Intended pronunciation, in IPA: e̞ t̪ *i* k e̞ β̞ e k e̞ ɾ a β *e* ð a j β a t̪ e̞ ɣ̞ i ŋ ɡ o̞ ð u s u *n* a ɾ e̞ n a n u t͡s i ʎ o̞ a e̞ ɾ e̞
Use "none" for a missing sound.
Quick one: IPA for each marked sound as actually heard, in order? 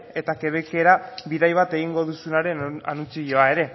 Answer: a, i, n

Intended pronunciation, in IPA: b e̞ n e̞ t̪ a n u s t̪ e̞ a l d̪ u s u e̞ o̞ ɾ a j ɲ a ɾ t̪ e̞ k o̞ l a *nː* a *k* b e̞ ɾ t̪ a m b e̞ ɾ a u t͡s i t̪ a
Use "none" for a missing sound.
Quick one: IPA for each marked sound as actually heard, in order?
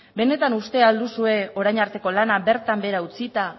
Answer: n, none

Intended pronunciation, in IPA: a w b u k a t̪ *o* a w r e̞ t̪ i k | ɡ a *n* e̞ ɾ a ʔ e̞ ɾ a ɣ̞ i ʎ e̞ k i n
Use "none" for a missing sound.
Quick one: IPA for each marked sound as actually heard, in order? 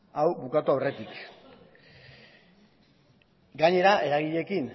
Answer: u, ɲ

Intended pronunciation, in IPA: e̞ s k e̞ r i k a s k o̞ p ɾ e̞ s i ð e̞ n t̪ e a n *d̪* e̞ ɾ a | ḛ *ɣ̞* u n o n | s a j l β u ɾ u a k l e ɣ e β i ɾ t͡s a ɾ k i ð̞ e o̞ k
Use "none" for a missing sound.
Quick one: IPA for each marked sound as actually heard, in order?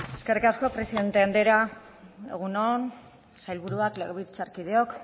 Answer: d̪, ɣ̞

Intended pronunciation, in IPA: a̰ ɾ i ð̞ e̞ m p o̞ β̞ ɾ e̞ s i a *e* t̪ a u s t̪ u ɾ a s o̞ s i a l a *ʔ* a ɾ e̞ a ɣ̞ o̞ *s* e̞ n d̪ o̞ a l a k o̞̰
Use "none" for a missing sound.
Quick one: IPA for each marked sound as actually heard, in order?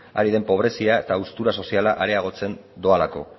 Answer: e, ʔ, t͡s

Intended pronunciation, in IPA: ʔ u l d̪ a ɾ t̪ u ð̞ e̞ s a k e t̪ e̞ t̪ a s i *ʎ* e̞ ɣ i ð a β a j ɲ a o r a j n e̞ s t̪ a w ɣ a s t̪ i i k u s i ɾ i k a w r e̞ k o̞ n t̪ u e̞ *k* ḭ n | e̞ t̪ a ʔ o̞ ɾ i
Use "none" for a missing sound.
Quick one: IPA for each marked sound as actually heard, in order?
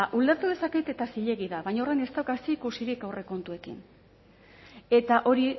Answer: ʎ, k

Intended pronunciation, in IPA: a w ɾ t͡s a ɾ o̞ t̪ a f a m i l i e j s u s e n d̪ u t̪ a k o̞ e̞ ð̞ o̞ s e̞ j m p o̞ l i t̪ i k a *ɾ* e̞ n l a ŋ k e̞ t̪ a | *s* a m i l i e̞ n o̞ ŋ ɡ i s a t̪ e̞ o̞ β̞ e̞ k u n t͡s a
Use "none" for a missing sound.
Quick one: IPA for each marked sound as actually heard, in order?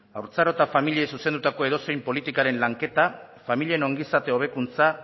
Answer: ɾ, f

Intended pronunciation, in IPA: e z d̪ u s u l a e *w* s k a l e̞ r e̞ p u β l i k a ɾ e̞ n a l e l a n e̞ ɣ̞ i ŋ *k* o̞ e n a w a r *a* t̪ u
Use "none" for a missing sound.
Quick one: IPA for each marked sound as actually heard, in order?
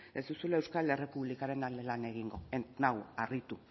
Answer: w, ɡ, i

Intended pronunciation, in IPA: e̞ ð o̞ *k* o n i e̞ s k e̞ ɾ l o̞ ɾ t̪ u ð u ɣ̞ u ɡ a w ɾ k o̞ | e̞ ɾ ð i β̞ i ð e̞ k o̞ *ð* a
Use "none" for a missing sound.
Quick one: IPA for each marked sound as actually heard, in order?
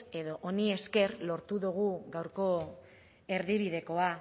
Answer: ʔ, none

